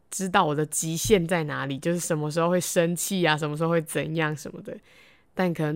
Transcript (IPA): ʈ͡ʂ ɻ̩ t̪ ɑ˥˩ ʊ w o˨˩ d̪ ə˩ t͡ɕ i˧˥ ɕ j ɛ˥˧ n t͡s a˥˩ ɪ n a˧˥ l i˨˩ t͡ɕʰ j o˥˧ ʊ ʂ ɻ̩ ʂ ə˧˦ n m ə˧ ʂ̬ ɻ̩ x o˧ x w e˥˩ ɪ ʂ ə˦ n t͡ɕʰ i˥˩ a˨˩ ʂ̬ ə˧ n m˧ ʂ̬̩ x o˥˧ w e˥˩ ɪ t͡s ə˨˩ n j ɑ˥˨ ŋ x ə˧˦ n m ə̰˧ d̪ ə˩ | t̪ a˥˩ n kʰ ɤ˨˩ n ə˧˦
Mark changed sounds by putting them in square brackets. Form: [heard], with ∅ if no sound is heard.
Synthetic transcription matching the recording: ʈ͡ʂ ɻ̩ t̪ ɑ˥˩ ʊ w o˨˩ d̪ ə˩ t͡ɕ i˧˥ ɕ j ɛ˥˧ n t͡s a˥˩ ɪ n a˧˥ l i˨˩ [t͡ɕ] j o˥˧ ʊ ʂ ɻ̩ ʂ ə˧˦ n m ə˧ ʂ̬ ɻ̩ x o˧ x w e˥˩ ɪ ʂ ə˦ n t͡ɕʰ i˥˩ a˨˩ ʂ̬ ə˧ n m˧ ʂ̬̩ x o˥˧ w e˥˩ ɪ t͡s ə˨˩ n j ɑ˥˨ ŋ [ʂ] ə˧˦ n m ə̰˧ d̪ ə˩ | t̪ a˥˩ n kʰ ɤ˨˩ n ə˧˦